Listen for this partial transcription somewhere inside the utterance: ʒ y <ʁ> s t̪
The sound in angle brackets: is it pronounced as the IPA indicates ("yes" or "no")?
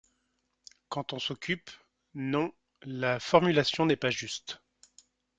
no